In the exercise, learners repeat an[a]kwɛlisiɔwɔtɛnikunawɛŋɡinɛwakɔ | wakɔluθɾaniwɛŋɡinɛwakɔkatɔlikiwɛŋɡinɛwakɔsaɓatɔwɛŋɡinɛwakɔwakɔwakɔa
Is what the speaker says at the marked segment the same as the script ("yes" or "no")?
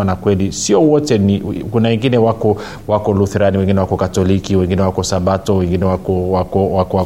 yes